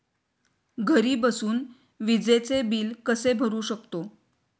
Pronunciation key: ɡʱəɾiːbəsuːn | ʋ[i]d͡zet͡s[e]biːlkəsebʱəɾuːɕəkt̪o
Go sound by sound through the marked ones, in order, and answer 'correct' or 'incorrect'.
correct, correct

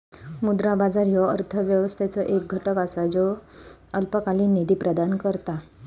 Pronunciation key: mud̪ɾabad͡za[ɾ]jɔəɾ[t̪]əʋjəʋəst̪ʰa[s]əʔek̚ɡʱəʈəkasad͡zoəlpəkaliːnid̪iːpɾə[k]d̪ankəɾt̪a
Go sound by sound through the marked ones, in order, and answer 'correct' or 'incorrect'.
correct, incorrect, incorrect, incorrect

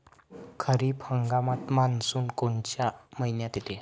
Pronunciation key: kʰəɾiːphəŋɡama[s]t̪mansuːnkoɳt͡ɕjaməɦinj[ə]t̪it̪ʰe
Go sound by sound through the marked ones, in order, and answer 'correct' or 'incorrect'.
incorrect, incorrect

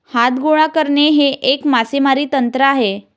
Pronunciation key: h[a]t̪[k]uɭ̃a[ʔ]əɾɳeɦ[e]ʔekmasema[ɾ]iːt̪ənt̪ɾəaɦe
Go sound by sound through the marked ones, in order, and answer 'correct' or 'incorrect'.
correct, incorrect, incorrect, correct, correct

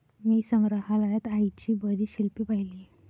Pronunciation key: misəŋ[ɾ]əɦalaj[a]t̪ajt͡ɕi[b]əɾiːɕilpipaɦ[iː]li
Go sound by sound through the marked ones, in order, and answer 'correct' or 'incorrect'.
correct, correct, correct, incorrect

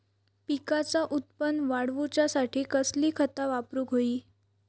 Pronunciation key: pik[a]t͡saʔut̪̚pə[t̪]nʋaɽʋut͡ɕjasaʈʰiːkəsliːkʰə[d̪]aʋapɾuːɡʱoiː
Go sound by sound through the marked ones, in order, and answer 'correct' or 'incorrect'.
correct, incorrect, incorrect

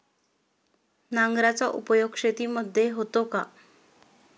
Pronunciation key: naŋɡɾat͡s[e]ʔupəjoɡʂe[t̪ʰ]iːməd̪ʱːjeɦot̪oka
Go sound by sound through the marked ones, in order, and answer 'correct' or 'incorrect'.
incorrect, incorrect

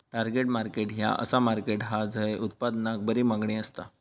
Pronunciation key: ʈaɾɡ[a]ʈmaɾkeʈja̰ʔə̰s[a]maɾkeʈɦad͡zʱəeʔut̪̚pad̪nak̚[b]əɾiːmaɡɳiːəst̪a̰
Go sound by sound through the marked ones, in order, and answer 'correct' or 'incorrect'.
incorrect, correct, correct

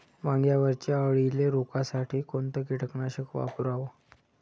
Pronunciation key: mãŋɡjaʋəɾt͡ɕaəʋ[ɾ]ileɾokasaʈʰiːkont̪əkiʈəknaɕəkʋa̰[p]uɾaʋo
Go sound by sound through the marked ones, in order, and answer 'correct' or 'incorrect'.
incorrect, correct

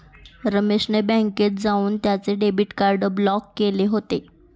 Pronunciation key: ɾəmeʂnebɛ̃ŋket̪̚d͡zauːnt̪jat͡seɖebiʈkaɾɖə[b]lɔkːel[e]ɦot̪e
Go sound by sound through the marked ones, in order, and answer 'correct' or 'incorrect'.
correct, correct

